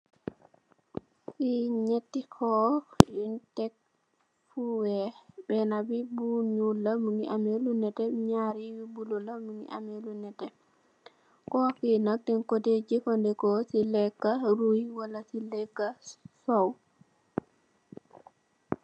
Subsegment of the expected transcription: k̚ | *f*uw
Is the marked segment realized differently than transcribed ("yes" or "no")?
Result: no